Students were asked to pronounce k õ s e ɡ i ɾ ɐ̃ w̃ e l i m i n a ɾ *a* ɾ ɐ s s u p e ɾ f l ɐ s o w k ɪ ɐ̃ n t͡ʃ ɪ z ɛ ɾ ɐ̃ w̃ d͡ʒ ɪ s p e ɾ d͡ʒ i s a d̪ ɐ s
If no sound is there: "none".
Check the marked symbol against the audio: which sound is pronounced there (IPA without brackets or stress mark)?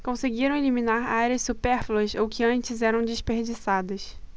a